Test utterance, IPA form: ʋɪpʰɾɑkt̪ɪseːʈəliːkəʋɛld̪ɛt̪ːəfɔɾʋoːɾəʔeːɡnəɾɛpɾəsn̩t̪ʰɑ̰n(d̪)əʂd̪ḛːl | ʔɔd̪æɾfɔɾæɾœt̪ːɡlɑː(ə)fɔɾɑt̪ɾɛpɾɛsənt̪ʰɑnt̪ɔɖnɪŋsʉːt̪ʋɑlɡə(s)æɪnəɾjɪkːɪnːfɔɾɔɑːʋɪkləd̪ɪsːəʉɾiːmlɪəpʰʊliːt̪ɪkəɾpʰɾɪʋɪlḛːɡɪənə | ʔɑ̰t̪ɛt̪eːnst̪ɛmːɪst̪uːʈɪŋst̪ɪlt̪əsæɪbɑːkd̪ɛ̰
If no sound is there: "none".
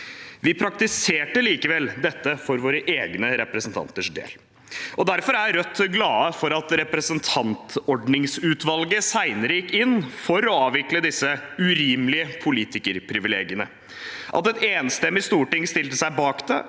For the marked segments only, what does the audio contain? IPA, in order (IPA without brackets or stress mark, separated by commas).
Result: t̪, ə, s